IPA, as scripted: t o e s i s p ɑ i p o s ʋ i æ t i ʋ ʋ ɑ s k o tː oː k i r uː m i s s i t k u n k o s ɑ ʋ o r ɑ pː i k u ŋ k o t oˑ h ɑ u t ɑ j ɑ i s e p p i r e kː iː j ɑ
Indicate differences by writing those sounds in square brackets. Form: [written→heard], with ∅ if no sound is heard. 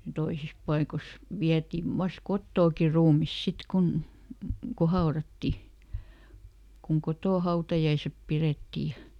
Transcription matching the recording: t o [e→i] s i s p ɑ i [p→k] o s ʋ i æ t i ʋ ʋ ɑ s k o tː oː k i r uː m i s s i t k u n k o [s→h] ɑ [ʋ→∅] o r ɑ [pː→tː] i k u ŋ k o t oˑ h ɑ u t ɑ j ɑ i s e p p i r e [kː→tː] iː j ɑ